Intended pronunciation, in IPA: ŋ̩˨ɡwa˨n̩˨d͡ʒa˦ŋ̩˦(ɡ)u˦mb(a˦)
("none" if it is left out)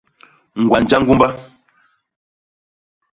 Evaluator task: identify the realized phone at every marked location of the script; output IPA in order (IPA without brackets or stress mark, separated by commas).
ɡ, a˦